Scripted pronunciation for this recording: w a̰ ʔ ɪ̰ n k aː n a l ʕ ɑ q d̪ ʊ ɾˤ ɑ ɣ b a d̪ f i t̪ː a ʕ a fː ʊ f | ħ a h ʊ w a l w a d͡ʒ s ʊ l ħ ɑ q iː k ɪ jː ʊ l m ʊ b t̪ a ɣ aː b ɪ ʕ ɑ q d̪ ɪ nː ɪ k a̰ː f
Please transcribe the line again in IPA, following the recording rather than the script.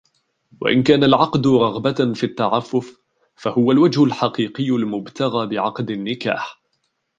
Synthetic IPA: w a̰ ʔ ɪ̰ n k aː n a l ʕ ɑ q d̪ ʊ ɾˤ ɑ ɣ b a f i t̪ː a ʕ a fː ʊ f | f a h ʊ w a l w a d͡ʒ h ʊ l ħ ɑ q iː q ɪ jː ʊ l m ʊ b t̪ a ɣ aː b ɪ ʕ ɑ q d̪ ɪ nː ɪ k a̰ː ħ